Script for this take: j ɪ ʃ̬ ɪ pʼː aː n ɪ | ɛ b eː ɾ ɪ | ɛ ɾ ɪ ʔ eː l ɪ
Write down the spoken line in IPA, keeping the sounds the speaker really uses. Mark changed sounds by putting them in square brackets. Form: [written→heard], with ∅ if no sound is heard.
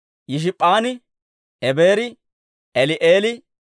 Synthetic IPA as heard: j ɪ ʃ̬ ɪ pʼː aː n ɪ | ɛ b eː ɾ ɪ | ɛ [ɾ→l] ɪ ʔ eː l ɪ